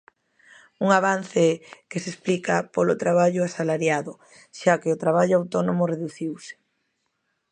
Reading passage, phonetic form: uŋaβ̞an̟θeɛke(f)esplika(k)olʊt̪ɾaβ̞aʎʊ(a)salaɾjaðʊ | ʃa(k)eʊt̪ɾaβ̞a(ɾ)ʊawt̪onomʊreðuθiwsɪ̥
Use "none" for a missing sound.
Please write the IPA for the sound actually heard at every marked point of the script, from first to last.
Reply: s, p, a, k, ʎ

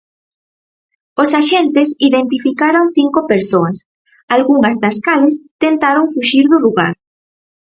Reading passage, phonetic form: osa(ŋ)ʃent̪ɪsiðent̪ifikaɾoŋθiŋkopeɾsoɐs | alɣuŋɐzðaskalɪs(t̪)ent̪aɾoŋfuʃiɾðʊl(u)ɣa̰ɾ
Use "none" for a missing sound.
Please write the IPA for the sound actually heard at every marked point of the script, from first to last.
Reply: none, t̪, u

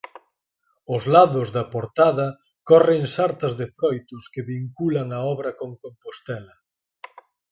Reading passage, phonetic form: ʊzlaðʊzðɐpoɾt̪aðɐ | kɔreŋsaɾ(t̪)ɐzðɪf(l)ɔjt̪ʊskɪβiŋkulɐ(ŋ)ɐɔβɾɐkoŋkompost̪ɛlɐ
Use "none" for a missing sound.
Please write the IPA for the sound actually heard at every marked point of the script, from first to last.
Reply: t̪, ɾ, ŋ

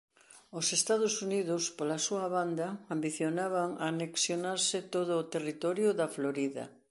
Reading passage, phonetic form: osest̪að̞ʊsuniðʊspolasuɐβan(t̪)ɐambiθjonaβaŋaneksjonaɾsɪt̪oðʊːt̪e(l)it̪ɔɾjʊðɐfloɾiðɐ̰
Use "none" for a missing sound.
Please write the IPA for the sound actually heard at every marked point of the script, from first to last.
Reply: d̪, r

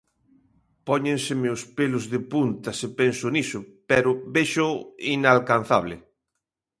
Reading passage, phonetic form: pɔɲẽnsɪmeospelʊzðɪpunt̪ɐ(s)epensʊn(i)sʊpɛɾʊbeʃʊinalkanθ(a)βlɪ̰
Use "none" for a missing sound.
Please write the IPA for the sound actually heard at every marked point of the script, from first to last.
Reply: s, i, a

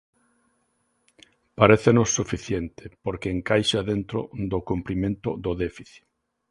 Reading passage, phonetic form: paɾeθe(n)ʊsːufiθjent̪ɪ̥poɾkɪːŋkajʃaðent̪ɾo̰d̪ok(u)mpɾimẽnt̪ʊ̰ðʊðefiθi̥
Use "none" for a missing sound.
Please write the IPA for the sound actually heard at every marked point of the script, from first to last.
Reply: n, u

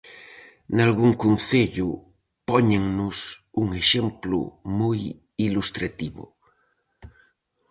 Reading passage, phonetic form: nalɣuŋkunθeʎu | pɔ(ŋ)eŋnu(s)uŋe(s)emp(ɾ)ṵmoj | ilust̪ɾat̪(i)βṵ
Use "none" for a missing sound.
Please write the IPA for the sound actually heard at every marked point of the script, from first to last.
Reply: ɲ, s, ʃ, l, i

